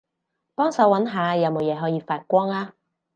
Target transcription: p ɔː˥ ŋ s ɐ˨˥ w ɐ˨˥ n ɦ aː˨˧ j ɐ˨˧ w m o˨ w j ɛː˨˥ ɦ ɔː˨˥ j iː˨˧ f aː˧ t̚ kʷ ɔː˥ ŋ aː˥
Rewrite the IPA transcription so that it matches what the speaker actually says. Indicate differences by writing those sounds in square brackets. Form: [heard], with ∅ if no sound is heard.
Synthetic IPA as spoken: p ɔː˥ ŋ s ɐ˨˥ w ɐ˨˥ n ɦ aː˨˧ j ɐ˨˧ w m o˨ w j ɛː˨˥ ɦ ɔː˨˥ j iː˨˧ f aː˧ t̚ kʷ ɔː˥ ŋ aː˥

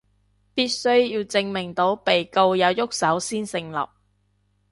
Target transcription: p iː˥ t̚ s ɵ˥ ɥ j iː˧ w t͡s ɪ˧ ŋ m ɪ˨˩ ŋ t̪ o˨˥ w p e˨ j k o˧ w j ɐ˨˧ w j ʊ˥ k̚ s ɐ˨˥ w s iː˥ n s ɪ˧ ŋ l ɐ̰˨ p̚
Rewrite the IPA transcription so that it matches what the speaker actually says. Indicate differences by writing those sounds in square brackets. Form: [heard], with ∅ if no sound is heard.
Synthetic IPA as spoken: p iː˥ t̚ s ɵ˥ ɥ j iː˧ w t͡s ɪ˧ ŋ m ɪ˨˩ ŋ t̪ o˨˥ w p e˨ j k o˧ w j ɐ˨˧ w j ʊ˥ k̚ s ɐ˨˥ w s iː˥ n s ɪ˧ ŋ l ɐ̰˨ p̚

